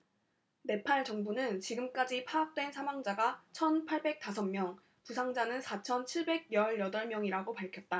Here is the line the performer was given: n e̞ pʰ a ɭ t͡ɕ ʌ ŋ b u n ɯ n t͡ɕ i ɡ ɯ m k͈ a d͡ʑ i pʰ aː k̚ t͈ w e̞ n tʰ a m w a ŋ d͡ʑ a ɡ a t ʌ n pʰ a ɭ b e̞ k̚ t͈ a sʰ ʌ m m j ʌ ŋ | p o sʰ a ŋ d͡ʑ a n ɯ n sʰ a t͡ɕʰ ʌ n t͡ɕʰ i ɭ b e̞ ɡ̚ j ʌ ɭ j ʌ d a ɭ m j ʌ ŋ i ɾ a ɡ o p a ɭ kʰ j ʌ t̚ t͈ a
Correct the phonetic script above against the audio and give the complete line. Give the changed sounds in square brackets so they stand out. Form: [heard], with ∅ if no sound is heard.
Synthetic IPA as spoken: n e̞ pʰ a ɭ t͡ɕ ʌ ŋ b u n ɯ n t͡ɕ i ɡ ɯ m k͈ a d͡ʑ i pʰ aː k̚ t͈ w e̞ n [sʰ] a m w a ŋ d͡ʑ a ɡ a [t͡ɕʰ] ʌ n pʰ a ɭ b e̞ k̚ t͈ a sʰ ʌ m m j ʌ ŋ | p [u] sʰ a ŋ d͡ʑ a n ɯ n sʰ a t͡ɕʰ ʌ n t͡ɕʰ i ɭ b e̞ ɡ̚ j ʌ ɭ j ʌ d [ʌ] ɭ m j ʌ ŋ i ɾ a ɡ o p a ɭ kʰ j ʌ t̚ t͈ a